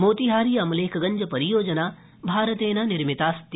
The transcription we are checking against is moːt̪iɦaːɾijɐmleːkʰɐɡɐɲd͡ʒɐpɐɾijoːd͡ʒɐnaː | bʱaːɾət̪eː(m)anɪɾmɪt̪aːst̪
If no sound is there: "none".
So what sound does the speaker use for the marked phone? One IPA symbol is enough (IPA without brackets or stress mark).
n